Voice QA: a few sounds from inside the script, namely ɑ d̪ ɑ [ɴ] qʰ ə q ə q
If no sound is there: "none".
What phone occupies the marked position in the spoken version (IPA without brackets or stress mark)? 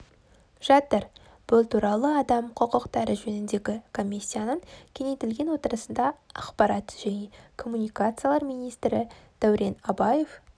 m